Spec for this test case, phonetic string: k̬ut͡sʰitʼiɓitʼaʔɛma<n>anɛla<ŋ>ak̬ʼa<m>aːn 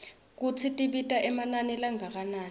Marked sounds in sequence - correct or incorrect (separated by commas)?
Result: correct, correct, incorrect